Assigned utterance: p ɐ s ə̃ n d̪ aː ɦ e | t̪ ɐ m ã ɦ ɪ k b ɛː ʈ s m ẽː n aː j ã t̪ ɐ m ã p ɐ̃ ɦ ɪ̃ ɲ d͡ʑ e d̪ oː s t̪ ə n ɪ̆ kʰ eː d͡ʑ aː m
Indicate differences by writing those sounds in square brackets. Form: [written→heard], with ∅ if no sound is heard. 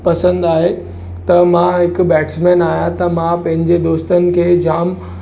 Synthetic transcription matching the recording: p ɐ s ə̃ n d̪ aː ɦ e | t̪ ɐ m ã ɦ ɪ k b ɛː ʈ s m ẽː n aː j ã t̪ ɐ m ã p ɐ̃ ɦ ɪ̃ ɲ d͡ʑ e d̪ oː s t̪ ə n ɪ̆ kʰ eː d͡ʑ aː m